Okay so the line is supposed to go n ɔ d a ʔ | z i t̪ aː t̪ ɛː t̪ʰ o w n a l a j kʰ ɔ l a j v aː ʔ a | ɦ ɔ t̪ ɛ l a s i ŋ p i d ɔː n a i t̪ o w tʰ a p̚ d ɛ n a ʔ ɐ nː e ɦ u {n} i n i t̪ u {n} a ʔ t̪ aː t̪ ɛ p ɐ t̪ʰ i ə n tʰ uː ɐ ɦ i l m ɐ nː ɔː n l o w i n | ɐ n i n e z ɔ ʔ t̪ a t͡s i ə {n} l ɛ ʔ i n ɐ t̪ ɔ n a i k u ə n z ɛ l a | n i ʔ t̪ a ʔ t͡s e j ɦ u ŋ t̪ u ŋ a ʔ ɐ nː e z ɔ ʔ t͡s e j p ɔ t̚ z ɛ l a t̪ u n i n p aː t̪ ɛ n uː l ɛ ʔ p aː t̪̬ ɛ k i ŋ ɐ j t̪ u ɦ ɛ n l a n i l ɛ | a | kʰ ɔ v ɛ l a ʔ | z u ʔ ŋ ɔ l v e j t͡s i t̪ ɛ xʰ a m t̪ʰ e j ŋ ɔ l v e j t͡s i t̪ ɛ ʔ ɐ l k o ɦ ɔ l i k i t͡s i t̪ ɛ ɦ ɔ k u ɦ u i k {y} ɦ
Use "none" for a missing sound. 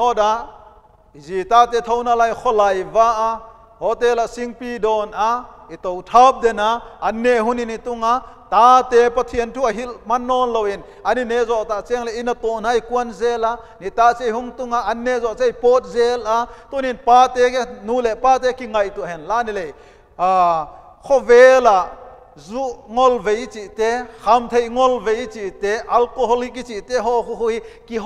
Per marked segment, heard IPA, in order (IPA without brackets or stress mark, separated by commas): n, ŋ, ŋ, i